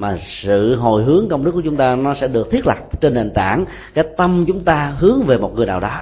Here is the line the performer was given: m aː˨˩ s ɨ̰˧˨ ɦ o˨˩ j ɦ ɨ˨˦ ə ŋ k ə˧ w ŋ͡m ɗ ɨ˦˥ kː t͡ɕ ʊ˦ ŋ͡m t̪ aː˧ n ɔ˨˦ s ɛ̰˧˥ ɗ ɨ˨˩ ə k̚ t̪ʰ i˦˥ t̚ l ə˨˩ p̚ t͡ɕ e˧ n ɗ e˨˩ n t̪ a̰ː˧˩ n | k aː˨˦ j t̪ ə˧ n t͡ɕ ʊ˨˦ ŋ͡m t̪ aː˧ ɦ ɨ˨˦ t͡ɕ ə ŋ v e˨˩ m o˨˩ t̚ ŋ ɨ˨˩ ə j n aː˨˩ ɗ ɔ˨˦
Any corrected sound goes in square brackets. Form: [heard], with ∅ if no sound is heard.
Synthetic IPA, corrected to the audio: m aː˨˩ s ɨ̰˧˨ ɦ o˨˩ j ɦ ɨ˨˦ ə ŋ k ə˧ w ŋ͡m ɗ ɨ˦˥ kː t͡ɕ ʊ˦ ŋ͡m t̪ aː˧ n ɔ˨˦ s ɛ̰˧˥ ɗ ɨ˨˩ ə k̚ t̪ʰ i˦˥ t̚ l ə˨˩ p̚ t͡ɕ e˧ n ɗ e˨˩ n t̪ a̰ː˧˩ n | k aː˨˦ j t̪ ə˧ [m] t͡ɕ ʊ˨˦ ŋ͡m t̪ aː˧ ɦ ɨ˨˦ [∅] ə ŋ v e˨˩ m o˨˩ t̚ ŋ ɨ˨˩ ə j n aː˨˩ ɗ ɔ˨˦